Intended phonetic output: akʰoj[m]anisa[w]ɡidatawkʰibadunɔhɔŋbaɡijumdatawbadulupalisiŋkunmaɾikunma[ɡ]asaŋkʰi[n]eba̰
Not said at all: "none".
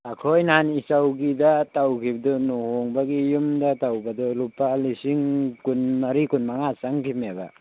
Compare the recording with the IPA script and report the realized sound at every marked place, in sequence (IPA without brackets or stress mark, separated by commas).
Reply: n, w, ŋ, m